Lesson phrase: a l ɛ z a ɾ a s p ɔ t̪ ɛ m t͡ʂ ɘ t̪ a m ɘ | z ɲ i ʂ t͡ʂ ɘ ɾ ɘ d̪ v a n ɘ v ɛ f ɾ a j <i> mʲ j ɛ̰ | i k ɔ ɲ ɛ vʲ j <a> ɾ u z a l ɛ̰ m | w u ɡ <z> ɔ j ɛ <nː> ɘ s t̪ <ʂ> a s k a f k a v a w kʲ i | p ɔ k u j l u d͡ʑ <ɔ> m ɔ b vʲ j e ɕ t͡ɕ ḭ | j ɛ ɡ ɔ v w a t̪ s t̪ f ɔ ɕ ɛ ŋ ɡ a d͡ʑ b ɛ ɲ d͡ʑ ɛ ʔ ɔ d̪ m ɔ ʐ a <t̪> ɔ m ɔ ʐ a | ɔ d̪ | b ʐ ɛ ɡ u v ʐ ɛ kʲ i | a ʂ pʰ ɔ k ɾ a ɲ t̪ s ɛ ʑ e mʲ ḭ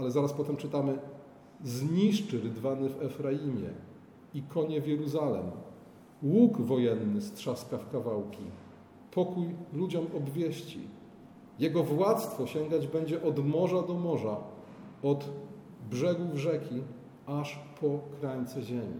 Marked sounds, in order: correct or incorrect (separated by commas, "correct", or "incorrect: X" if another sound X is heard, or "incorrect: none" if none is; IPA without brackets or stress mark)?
correct, incorrect: ɛ, incorrect: v, correct, correct, correct, incorrect: d̪